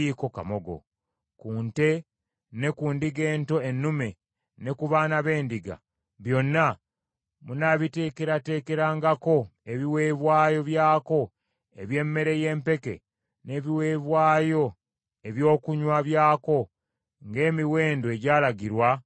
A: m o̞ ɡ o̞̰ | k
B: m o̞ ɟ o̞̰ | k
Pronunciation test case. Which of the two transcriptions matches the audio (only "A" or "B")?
A